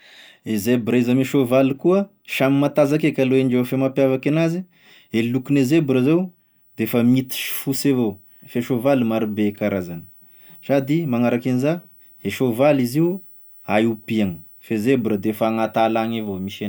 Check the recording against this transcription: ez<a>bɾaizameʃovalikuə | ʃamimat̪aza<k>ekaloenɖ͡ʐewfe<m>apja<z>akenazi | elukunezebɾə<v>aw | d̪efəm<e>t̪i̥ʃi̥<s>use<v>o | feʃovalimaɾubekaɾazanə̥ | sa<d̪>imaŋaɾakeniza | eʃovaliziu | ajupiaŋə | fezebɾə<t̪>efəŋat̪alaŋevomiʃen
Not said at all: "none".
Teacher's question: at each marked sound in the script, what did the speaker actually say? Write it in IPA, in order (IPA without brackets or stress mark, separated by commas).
e, k, m, v, z, i, f, v, d̪, d̪